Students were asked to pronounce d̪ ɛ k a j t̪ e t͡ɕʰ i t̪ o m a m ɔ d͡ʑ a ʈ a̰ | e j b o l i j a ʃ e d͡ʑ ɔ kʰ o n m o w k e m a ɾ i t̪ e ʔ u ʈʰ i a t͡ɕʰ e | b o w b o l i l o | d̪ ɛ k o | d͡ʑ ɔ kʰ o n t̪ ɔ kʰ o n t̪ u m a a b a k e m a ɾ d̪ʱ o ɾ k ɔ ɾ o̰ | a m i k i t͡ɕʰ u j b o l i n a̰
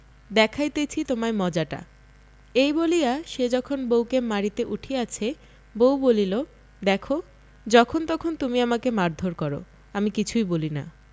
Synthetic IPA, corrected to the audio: d̪ ɛ kʰ a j t̪ e t͡ɕʰ i t̪ o m a m ɔ d͡ʑ a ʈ a̰ | e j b o l i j a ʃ e d͡ʑ ɔ kʰ o n b o w k e m a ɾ i t̪ e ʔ u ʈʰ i a t͡ɕʰ e | b o w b o l i l o | d̪ ɛ kʰ o | d͡ʑ ɔ kʰ o n t̪ ɔ kʰ o n t̪ u m i a m a k e m a ɾ d̪ʱ o ɾ k ɔ ɾ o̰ | a m i k i t͡ɕʰ u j b o l i n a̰